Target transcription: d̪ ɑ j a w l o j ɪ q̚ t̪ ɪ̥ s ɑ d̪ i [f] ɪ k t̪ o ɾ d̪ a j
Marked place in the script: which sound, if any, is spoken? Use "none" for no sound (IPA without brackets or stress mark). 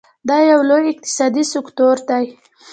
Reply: s